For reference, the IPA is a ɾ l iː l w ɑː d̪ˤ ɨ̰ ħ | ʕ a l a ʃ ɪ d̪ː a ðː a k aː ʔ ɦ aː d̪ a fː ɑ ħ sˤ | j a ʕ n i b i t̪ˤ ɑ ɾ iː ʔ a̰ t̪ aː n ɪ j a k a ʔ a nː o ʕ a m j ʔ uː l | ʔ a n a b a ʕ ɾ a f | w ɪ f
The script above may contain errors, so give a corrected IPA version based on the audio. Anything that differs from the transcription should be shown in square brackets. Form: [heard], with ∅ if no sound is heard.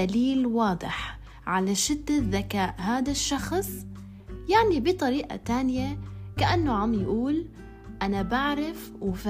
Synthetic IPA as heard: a [∅] l iː l w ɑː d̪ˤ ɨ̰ ħ | ʕ a l a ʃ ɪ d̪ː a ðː a k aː ʔ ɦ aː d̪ a [ʃː] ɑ [x] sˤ | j a ʕ n i b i t̪ˤ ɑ ɾ iː ʔ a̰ t̪ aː n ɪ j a k a ʔ a nː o ʕ a m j ʔ uː l | ʔ a n a b a ʕ ɾ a f | w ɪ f